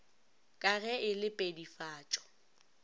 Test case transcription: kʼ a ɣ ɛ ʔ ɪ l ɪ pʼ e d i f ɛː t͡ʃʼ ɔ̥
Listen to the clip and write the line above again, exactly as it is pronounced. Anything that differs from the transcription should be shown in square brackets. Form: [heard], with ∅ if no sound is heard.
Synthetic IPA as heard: kʼ a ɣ ɛ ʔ ɪ l ɪ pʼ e d i f [aː] t͡ʃʼ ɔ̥